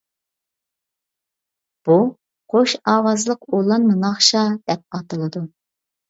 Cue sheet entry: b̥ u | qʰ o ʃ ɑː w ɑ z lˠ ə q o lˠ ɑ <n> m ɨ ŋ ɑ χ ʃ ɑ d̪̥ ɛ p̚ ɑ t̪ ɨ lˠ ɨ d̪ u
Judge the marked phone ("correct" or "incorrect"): correct